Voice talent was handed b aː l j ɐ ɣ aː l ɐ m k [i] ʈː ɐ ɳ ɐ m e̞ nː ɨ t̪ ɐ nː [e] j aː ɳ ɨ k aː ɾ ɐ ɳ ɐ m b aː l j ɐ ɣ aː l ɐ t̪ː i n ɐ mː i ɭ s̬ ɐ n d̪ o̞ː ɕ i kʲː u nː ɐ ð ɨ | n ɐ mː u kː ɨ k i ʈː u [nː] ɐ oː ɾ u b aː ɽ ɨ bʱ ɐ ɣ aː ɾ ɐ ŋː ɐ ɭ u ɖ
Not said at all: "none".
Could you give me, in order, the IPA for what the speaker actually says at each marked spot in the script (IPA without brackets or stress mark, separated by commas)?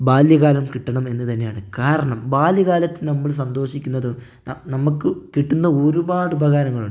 i, e, nː